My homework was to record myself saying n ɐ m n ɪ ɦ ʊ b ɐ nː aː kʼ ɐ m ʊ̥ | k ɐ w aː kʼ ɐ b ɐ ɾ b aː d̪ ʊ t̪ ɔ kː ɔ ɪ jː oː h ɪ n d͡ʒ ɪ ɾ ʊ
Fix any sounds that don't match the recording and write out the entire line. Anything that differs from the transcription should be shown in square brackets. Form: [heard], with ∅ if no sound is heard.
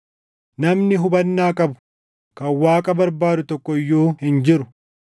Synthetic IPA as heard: n ɐ m n ɪ ɦ ʊ b ɐ nː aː kʼ ɐ [b] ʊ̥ | k ɐ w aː kʼ ɐ b ɐ ɾ b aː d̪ ʊ t̪ ɔ kː ɔ ɪ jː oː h ɪ n d͡ʒ ɪ ɾ ʊ

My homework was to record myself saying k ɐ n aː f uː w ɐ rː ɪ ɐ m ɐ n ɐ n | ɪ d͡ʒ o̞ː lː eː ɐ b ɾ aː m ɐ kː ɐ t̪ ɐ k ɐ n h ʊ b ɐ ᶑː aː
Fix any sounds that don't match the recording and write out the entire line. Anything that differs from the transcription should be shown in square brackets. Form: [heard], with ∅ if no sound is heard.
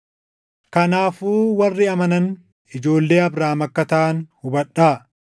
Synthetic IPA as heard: k ɐ n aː f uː w ɐ rː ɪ ɐ m ɐ n ɐ n | ɪ d͡ʒ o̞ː lː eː ɐ b ɾ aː m ɐ kː ɐ t̪ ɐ [ʔ] ɐ n h ʊ b ɐ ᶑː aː

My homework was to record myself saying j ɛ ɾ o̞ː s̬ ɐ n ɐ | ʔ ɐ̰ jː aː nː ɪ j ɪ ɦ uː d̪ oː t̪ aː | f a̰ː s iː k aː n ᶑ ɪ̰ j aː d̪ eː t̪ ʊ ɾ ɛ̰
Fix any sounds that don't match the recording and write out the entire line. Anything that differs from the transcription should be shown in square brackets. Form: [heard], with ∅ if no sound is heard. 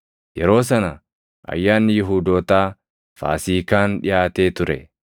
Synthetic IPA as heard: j ɛ ɾ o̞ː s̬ ɐ n ɐ | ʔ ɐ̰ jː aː nː ɪ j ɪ ɦ uː d̪ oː t̪ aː | f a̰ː s iː k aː n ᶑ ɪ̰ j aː [t̪] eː t̪ ʊ ɾ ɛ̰

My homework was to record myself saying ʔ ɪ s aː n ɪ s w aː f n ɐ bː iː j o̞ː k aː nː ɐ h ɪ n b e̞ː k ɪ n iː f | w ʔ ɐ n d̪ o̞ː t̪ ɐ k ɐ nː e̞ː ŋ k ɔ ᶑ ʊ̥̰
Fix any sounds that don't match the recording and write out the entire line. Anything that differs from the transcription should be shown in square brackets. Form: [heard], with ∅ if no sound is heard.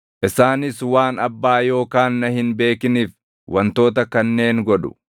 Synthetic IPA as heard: ʔ ɪ s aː n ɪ s w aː [∅] n ɐ bː [aː] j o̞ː k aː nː ɐ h ɪ n b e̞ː k ɪ n iː f | w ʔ ɐ n [t̪] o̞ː t̪ ɐ k ɐ nː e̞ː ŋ [ɡ] ɔ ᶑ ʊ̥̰

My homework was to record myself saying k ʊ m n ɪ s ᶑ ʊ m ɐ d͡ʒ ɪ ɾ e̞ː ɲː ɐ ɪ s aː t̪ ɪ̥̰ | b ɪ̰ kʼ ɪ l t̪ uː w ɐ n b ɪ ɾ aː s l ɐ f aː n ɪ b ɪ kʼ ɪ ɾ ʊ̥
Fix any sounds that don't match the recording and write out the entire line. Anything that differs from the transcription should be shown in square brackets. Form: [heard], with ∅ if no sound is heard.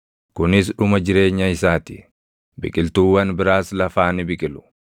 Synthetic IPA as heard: k ʊ [∅] n ɪ s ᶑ ʊ m ɐ d͡ʒ ɪ ɾ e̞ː ɲː ɐ ɪ s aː t̪ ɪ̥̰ | b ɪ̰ kʼ ɪ l t̪ uː w ɐ n b ɪ ɾ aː s l ɐ f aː n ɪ b ɪ kʼ ɪ [l] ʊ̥

